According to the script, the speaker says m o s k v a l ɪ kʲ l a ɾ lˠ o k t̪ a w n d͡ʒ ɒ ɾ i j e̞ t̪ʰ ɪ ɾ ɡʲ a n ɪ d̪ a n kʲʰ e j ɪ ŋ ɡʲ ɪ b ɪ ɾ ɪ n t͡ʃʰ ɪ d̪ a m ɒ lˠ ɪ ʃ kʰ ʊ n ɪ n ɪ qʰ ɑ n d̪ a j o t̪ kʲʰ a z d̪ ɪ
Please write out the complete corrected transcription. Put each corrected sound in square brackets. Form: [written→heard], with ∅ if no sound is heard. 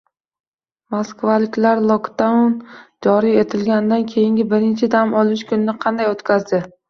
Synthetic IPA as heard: m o s k v a l ɪ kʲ l a ɾ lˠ o k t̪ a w n d͡ʒ ɒ ɾ i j e̞ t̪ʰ ɪ [ɾ→l] ɡʲ a n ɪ d̪ a n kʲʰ e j ɪ ŋ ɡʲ ɪ b ɪ ɾ ɪ n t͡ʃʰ ɪ d̪ a m ɒ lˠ ɪ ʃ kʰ ʊ n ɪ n ɪ qʰ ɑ n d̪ a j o t̪ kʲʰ a z d̪ ɪ

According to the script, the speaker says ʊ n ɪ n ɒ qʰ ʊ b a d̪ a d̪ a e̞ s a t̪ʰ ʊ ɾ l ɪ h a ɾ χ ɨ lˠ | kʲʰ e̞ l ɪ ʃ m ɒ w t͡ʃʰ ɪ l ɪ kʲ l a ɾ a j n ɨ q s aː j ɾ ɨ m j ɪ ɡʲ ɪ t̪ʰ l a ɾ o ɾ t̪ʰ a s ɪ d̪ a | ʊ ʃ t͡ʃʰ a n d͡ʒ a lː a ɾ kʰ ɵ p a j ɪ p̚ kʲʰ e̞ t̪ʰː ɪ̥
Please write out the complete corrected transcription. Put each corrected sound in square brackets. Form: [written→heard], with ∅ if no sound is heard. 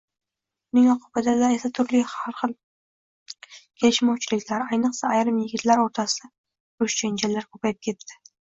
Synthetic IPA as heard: ʊ n ɪ [n→ŋ] ɒ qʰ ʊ b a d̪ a d̪ a e̞ s a t̪ʰ ʊ ɾ l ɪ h a ɾ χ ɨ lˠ | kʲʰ e̞ l ɪ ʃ m ɒ w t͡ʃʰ ɪ l ɪ kʲ l a ɾ a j n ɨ q s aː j ɾ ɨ m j ɪ ɡʲ ɪ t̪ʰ l a ɾ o ɾ t̪ʰ a s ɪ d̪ a | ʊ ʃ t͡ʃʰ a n d͡ʒ a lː a ɾ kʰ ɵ p a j ɪ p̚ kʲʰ e̞ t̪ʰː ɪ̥

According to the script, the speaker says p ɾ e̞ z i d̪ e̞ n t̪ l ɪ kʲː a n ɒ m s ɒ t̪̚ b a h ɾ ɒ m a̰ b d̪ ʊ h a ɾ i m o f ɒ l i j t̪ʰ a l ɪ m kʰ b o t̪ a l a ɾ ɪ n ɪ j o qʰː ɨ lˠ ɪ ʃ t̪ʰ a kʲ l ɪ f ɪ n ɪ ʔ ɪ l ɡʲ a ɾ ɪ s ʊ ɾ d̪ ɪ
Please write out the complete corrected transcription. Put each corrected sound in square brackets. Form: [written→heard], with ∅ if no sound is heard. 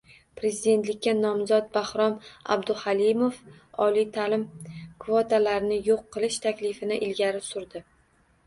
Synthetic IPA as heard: p ɾ e̞ z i d̪ e̞ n t̪ l ɪ kʲː a n ɒ m [s→z] ɒ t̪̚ b a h ɾ ɒ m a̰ b d̪ ʊ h a [ɾ→l] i m o f ɒ l i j t̪ʰ a l ɪ m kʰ [b→v] o t̪ a l a ɾ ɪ n ɪ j o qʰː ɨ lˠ ɪ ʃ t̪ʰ a kʲ l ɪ f ɪ n ɪ ʔ ɪ l ɡʲ a ɾ ɪ s ʊ ɾ d̪ ɪ

